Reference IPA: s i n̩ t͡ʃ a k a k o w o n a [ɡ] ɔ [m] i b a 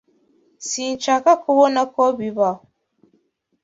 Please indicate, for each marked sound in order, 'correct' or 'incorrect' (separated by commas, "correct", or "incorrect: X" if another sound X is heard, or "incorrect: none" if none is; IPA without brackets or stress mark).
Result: incorrect: k, incorrect: b